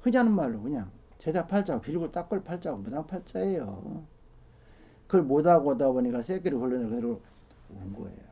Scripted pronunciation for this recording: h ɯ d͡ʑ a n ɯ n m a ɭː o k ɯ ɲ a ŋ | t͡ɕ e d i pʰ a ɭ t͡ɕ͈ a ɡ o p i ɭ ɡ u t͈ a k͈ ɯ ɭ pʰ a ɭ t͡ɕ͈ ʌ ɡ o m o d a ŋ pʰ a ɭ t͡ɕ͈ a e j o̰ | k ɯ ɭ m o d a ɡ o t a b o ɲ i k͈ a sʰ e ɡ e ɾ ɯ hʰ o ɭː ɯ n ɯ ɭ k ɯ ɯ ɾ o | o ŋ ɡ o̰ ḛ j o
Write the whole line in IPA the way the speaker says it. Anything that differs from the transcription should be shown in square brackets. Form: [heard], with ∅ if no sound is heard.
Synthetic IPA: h ɯ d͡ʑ a n ɯ n m a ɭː o k ɯ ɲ a ŋ | t͡ɕ e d [a] pʰ a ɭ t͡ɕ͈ a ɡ o p i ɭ ɡ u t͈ a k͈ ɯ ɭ pʰ a ɭ t͡ɕ͈ [a] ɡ o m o d a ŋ pʰ a ɭ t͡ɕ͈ a e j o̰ | k ɯ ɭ m o d a ɡ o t a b o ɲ i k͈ a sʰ e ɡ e ɾ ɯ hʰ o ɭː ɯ n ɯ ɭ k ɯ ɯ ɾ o | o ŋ ɡ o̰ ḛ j o